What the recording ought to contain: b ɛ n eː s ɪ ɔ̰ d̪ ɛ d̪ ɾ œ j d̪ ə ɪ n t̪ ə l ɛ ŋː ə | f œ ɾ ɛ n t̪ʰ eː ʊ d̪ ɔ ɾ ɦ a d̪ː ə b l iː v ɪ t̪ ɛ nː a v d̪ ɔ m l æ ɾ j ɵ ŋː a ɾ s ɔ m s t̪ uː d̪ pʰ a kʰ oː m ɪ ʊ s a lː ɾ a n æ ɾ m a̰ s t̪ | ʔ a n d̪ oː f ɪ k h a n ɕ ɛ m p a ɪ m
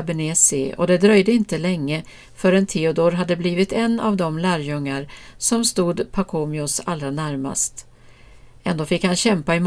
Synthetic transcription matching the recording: b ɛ n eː s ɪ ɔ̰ d̪ ɛ d̪ ɾ œ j d̪ ə ɪ n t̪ ə l ɛ ŋː ə | f œ ɾ ɛ n t̪ʰ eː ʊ d̪ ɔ ɾ ɦ a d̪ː ə b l iː v ɪ t̪ ɛ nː a v d̪ ɔ m l æː ɾ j ɵ ŋː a ɾ s ɔ m s t̪ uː d̪ pʰ a kʰ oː m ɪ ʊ s a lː ɾ a n æ ɾ m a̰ s t̪ | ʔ ɛ n d̪ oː f ɪ k h a n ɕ ɛ m p a ɪ m